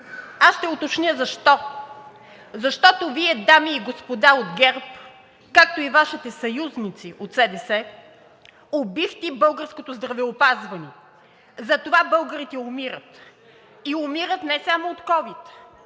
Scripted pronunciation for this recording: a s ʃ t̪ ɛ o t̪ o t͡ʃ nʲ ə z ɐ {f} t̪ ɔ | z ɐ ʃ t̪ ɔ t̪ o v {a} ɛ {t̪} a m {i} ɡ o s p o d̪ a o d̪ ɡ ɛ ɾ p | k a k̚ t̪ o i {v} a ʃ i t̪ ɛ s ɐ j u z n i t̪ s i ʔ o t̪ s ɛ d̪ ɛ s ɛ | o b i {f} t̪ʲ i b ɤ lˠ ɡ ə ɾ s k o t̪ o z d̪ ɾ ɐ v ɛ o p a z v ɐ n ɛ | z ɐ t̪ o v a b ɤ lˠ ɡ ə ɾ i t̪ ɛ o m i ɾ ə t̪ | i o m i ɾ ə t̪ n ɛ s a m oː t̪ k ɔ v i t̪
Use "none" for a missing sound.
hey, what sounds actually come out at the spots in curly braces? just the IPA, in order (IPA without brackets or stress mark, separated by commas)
ʃ, i, d̪, iː, v, f